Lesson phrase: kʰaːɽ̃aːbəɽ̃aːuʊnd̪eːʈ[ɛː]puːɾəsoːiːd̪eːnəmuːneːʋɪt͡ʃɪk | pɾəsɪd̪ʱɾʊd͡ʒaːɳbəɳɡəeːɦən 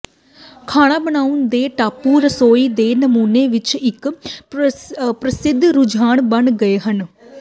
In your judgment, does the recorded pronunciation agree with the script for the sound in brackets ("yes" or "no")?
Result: no